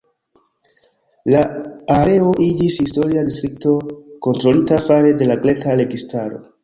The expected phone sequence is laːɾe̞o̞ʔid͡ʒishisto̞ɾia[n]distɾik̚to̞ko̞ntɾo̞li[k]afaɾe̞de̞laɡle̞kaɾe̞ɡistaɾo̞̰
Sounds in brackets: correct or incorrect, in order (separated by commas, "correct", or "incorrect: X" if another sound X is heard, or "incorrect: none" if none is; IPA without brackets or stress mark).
incorrect: none, incorrect: t